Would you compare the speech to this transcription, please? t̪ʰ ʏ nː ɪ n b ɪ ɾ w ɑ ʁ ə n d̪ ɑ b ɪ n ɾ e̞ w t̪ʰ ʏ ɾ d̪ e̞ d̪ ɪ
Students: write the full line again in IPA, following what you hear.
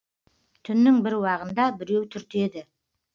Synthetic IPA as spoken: t̪ʰ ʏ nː ɪ ŋ b ɪ ɾ w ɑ ʁ ə n d̪ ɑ b ɪ ɾ e̞ w t̪ʰ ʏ ɾ t̪ e̞ d̪ ɪ